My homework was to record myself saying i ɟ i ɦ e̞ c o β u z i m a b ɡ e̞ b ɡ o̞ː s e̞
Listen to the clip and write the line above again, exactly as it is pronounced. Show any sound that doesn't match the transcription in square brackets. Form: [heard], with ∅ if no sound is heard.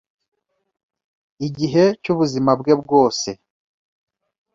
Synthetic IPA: i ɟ i ɦ e̞ c [u] β u z i m a b ɡ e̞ b ɡ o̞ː s e̞